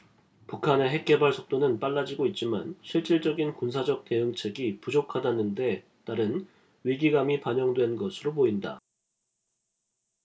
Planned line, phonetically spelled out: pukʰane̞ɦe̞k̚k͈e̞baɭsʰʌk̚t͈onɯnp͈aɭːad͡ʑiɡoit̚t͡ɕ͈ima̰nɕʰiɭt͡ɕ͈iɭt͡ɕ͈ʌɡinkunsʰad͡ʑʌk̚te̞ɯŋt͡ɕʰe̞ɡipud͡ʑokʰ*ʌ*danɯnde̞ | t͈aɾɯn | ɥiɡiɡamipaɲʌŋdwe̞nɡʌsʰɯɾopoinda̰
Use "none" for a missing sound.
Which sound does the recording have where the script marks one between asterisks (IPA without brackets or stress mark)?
a